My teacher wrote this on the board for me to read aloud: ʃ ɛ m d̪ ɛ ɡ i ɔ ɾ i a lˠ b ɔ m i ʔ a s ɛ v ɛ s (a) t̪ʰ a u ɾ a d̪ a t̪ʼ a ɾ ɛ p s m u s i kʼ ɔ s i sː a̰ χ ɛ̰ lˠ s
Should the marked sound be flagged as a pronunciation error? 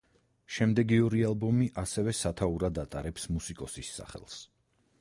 no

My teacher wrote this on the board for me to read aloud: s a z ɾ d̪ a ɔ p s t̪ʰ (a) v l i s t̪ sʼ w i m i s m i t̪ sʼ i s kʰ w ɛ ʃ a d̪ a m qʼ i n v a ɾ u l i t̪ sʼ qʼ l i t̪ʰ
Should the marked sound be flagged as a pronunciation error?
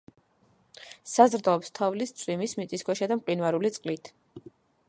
no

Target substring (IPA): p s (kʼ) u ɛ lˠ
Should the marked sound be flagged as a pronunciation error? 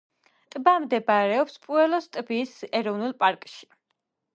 yes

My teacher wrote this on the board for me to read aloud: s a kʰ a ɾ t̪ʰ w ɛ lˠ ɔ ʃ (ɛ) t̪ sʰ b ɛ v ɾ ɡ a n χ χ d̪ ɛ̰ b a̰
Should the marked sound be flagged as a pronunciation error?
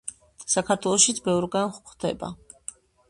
yes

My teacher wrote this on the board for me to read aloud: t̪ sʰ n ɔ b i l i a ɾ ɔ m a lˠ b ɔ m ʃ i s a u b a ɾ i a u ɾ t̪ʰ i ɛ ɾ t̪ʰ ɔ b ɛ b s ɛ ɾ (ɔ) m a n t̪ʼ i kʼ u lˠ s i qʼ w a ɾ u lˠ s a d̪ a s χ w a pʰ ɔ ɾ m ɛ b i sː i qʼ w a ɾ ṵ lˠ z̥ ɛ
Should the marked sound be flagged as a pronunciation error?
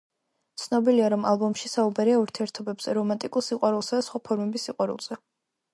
no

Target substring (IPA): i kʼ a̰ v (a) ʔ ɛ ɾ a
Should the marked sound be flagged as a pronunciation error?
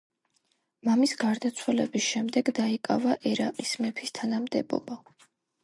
no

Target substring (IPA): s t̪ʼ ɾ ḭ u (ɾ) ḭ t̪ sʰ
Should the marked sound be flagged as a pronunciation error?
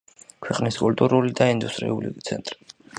yes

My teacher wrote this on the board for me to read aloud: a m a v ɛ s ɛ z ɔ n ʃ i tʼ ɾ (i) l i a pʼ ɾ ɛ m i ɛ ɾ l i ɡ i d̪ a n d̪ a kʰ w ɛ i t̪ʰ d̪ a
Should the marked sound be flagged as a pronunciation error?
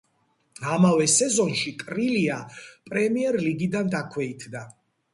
no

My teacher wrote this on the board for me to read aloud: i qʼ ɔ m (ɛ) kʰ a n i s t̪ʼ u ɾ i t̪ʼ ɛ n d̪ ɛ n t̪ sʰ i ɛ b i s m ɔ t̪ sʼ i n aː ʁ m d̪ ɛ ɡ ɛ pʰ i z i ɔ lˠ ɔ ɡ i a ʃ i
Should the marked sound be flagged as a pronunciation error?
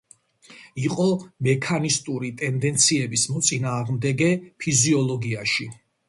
no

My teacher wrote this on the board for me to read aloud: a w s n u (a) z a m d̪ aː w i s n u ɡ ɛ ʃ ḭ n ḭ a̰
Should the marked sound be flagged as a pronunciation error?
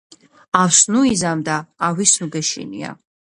yes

